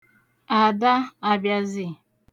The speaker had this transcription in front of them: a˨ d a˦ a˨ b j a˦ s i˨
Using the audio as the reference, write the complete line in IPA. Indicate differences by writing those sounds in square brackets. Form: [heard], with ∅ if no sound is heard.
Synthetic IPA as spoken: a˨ d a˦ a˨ b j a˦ [z] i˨

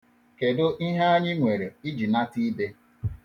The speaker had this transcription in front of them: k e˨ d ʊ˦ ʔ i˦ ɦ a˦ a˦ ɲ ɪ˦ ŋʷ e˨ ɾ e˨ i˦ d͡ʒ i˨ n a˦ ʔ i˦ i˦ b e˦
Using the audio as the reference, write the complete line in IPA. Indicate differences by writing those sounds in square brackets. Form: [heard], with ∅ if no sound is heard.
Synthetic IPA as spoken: k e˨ d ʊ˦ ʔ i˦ ɦ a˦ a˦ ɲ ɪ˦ ŋʷ e˨ ɾ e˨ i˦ d͡ʒ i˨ n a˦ [t] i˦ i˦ b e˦

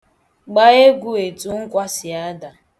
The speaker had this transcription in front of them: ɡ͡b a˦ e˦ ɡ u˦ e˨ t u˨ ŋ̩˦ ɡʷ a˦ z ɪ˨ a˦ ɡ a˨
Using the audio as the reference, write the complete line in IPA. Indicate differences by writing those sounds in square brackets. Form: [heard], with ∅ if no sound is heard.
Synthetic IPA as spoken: ɡ͡b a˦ e˦ ɡ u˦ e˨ t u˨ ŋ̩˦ [kʷ] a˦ [s] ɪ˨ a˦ [d] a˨

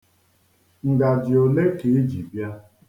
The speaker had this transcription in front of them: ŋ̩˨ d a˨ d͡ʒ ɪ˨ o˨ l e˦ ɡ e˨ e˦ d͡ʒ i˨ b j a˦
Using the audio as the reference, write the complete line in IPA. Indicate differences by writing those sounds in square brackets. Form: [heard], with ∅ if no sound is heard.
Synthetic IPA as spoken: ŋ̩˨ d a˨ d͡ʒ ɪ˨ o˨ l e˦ [k] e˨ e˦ d͡ʒ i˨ b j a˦

